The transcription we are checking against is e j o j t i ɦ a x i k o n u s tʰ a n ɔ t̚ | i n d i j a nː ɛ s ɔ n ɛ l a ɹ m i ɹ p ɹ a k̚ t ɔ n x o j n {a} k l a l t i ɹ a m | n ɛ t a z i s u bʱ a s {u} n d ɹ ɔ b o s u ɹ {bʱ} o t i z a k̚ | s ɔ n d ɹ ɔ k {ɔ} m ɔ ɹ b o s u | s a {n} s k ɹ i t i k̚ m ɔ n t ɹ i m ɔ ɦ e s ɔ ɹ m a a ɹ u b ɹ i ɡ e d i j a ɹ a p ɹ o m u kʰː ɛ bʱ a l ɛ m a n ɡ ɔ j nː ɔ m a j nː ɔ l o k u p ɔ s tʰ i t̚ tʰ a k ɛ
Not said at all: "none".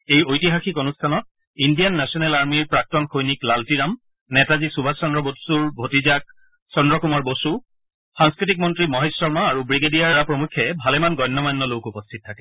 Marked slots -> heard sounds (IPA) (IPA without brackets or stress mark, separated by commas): i, ɔ, bʱ, u, ŋ